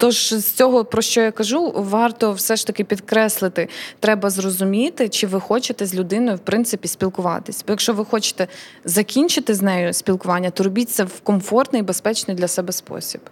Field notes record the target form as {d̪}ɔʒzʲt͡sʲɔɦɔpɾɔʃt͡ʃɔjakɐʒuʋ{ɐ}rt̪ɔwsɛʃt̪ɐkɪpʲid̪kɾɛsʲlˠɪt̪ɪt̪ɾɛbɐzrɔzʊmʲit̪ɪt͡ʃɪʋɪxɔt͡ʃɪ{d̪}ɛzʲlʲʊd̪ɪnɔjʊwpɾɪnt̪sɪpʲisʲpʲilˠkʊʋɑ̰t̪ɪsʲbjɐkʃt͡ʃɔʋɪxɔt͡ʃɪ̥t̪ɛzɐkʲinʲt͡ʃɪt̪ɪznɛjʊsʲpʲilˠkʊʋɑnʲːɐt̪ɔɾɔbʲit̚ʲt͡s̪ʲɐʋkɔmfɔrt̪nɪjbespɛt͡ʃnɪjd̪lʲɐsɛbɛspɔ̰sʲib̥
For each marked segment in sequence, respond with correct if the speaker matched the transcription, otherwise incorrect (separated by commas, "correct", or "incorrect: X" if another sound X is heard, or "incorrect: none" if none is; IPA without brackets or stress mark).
incorrect: t̪, incorrect: ɑ, incorrect: t̪